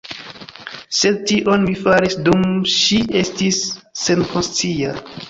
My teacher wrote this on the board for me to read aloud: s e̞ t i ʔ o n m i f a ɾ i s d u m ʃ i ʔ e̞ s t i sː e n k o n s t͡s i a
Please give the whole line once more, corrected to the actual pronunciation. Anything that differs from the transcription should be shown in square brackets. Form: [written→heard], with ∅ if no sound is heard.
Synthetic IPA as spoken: s e̞ t i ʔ o n m i f a ɾ i s d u m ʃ i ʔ e̞ s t i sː e n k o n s t͡s i a